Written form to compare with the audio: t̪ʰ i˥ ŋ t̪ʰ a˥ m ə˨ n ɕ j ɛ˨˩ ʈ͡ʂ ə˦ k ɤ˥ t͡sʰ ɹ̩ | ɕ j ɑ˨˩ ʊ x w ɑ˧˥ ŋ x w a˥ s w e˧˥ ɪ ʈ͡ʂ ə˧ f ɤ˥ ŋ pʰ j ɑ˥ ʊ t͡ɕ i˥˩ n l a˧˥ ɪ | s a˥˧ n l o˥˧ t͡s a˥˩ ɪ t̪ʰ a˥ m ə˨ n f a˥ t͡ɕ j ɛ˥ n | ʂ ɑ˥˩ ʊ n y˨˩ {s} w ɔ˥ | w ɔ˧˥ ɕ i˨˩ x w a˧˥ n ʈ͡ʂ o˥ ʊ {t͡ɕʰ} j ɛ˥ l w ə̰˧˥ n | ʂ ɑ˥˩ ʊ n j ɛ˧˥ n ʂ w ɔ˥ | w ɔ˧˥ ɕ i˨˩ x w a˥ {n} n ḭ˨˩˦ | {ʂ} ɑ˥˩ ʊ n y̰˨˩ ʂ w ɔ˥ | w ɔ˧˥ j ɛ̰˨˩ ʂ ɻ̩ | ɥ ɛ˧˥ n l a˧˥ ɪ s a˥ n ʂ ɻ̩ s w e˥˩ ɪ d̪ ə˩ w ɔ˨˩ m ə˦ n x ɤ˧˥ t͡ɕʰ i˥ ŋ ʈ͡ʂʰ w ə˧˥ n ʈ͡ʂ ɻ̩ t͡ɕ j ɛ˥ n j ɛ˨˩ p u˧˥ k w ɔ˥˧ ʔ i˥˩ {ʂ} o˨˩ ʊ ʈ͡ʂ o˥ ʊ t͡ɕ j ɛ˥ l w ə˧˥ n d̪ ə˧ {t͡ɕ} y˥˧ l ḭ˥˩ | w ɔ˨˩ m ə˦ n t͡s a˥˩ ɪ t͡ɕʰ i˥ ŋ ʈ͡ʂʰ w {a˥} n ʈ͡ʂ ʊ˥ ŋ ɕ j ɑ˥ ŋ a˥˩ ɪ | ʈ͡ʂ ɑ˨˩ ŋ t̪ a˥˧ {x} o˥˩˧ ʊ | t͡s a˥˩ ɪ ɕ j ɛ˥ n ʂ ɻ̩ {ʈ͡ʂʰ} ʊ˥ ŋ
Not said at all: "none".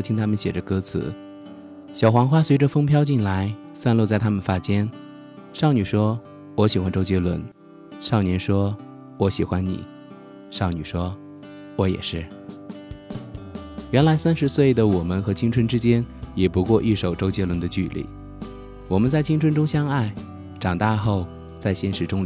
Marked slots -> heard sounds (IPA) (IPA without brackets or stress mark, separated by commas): ʂ, t͡ɕ, n, ʂ, ʂ, t͡ɕ, ə˥, x, ʈ͡ʂ